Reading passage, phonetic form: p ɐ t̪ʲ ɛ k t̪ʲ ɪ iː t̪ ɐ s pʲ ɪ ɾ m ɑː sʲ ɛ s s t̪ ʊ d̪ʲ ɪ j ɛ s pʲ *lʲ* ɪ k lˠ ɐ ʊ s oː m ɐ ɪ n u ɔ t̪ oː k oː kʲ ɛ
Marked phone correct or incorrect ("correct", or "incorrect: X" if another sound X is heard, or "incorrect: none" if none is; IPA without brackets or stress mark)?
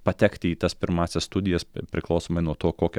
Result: incorrect: ɾʲ